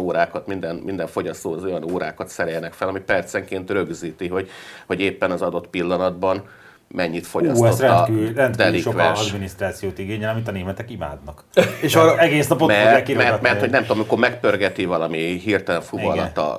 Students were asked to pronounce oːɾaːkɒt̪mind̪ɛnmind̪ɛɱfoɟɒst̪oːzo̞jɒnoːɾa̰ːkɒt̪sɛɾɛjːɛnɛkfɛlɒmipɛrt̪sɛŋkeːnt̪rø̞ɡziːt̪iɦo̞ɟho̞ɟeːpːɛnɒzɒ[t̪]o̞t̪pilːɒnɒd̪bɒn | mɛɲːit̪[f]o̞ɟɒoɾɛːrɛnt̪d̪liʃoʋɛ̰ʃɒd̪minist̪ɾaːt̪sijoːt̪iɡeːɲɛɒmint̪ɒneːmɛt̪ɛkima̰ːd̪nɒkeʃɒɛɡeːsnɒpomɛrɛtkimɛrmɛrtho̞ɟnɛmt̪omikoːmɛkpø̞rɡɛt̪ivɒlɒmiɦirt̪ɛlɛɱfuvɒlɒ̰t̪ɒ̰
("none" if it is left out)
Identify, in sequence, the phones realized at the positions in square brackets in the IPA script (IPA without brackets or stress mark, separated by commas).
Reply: d̪, f